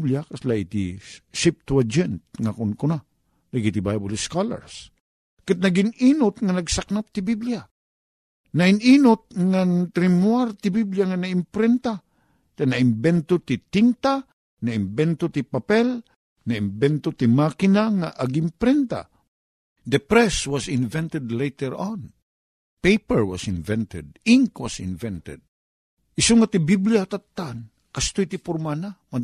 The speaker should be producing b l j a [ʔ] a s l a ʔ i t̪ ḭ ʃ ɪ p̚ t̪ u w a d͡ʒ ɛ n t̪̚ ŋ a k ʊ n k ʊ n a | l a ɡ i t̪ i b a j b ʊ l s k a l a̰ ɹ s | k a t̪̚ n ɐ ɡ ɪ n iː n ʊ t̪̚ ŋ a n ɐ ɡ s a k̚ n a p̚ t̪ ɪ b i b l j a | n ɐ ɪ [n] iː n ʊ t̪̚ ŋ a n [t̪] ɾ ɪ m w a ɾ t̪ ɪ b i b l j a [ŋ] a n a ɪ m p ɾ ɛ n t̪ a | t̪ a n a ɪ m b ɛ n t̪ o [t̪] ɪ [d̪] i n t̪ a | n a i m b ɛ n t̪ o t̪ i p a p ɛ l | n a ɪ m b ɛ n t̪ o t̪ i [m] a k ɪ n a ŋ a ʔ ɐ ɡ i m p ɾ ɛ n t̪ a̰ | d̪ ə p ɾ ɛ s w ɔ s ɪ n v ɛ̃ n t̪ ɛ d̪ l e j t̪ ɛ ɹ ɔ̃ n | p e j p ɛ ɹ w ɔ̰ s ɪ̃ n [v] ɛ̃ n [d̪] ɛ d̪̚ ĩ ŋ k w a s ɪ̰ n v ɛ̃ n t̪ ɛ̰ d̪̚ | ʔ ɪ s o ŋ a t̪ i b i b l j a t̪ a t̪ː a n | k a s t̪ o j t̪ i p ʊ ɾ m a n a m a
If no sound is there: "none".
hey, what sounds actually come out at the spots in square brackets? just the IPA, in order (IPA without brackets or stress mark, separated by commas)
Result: k, n, t̪, ŋ, t̪, t̪, m, v, t̪